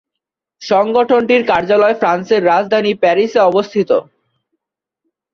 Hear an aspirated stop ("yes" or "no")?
yes